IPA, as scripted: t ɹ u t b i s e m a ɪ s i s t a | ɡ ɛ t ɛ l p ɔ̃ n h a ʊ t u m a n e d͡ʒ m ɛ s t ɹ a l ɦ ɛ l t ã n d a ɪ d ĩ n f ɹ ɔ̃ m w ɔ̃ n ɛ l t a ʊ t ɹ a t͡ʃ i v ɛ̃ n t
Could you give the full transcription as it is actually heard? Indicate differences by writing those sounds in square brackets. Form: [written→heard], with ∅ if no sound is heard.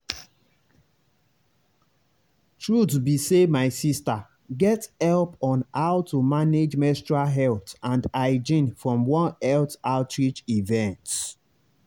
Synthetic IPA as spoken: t ɹ u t b i s e m a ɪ s i s t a | ɡ ɛ t ɛ l p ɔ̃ n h a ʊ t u m a n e d͡ʒ m ɛ s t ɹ a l ɦ ɛ l t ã n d a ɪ [d→d͡ʒ] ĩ n f ɹ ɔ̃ m w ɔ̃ n ɛ l t a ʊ t ɹ [a→i] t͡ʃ i v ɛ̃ n t